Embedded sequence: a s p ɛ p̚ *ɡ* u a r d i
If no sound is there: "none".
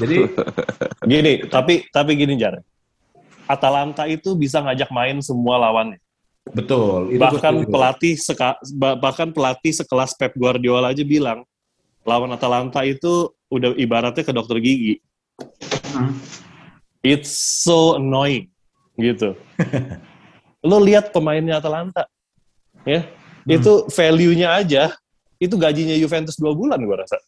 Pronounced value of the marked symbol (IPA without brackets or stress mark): ɡ